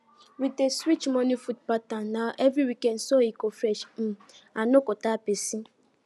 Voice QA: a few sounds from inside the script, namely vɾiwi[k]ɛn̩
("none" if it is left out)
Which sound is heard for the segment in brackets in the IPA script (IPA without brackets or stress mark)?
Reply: k